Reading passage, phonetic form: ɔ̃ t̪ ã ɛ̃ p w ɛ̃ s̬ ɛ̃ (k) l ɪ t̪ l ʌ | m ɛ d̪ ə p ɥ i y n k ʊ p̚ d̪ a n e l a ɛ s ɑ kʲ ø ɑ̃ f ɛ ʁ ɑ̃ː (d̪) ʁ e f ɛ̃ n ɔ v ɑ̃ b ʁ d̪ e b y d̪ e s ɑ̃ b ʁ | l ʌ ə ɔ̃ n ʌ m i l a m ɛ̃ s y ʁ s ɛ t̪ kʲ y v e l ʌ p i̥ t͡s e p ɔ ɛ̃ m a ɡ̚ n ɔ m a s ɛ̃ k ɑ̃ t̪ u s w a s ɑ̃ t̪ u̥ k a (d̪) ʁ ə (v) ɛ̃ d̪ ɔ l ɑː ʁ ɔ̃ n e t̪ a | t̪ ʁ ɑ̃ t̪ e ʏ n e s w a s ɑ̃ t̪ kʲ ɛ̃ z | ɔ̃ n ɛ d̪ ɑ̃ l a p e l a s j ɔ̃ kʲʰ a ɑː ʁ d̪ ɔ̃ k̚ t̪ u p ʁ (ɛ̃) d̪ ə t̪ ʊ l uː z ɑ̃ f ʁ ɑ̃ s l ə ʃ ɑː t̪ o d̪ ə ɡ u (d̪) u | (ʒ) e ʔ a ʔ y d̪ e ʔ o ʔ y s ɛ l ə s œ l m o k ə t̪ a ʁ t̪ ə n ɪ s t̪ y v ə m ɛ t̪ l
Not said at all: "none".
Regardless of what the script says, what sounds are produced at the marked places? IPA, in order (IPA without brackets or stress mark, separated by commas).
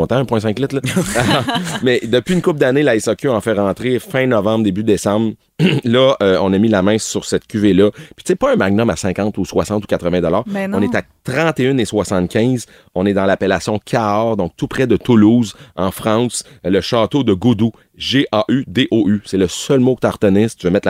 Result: k, t̪, t̪, v, ɛ, d̪, ʒ